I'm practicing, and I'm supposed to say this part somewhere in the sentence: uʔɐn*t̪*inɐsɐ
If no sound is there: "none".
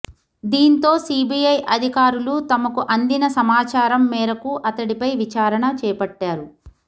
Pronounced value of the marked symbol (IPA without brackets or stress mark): d̪